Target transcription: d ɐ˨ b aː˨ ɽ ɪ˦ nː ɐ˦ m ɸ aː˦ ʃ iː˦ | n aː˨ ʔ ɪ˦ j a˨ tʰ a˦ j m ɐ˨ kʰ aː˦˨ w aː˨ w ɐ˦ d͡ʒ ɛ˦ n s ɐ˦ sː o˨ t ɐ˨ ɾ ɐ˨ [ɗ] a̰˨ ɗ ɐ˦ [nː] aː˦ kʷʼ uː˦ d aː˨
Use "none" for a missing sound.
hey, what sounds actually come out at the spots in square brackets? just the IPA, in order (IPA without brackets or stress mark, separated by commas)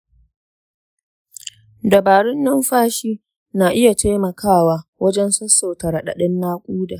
ɗ, nː